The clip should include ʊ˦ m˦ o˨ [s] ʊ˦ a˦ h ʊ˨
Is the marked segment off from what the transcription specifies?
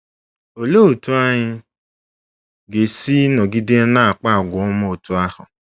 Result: yes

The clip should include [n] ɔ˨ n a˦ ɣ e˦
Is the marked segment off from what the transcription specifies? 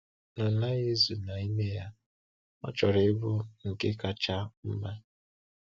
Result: no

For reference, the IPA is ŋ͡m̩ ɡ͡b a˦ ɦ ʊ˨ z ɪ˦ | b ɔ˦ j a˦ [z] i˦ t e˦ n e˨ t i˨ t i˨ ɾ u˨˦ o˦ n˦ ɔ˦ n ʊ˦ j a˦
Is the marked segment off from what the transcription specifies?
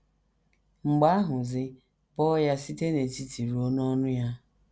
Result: yes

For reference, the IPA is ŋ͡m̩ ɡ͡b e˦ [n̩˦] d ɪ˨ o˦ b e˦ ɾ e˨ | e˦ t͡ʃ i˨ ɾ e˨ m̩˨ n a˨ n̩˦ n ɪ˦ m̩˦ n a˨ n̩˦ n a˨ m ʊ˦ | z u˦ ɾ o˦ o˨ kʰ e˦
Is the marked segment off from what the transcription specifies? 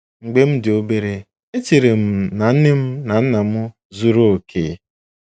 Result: yes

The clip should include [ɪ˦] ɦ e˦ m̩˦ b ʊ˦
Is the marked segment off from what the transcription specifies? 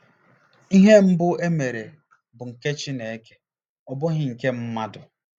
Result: yes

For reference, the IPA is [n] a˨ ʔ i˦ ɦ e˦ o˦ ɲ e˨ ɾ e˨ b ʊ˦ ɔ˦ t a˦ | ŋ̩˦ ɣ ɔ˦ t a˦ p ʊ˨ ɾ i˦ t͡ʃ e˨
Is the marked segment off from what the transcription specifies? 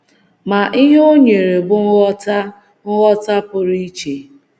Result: yes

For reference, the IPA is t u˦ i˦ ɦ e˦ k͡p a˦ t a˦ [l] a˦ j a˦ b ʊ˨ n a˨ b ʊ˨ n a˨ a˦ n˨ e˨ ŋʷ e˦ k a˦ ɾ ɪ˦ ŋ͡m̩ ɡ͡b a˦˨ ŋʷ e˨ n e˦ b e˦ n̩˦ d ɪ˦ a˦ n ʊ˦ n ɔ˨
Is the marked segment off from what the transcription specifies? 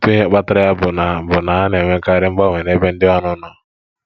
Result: yes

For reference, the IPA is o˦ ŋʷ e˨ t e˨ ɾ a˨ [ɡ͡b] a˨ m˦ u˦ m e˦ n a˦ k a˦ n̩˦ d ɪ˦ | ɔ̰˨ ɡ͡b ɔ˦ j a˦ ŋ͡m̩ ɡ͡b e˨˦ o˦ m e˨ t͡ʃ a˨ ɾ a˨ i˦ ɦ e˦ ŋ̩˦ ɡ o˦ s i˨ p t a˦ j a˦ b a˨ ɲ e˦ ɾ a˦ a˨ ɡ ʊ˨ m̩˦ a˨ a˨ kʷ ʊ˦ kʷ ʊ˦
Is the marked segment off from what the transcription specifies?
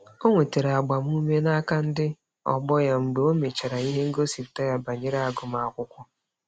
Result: no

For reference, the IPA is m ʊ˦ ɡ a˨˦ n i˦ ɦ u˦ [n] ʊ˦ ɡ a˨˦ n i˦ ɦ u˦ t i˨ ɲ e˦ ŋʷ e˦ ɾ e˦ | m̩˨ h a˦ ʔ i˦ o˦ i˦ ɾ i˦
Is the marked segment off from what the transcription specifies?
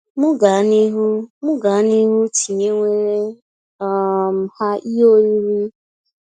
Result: yes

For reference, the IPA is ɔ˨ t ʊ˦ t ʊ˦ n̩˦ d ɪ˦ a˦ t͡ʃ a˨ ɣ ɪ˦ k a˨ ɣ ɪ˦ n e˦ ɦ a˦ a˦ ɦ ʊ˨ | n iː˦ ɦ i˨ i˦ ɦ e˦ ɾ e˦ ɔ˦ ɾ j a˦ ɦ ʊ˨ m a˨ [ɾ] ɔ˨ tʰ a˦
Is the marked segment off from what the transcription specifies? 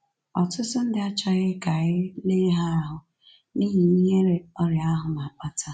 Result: yes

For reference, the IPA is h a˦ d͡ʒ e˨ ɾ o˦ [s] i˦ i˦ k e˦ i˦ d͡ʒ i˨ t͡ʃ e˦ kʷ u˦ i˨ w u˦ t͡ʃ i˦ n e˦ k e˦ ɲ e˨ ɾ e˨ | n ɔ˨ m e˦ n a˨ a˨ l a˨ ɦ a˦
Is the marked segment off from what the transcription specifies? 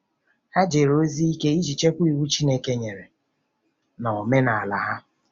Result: yes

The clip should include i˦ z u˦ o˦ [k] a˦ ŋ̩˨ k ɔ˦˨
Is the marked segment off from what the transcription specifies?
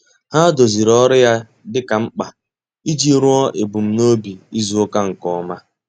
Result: no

